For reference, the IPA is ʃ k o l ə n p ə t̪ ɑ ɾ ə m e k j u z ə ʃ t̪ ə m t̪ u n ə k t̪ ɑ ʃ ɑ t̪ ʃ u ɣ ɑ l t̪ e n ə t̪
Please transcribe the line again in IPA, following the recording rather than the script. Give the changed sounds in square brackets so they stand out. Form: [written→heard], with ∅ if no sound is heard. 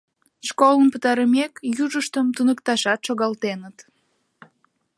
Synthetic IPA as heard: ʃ k o l ə n p ə t̪ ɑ ɾ ə m e k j u [z→ʒ] ə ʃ t̪ ə m t̪ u n ə k t̪ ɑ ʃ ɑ t̪ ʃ [u→o] ɣ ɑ l t̪ e n ə t̪